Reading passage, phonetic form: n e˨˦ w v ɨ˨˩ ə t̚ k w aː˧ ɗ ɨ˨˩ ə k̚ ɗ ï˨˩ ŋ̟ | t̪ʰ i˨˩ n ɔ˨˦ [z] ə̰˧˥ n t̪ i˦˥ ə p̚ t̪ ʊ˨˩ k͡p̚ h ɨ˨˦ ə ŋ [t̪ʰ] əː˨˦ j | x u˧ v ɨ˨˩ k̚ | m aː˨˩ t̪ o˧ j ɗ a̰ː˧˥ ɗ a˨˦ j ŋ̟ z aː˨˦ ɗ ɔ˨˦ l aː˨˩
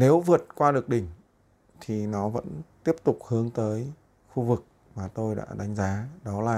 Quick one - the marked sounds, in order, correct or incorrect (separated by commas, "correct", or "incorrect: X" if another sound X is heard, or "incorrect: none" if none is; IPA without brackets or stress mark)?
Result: incorrect: v, incorrect: t̪